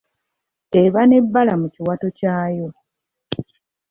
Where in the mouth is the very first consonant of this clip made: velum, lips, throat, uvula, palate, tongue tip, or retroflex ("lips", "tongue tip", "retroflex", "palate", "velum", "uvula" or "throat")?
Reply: lips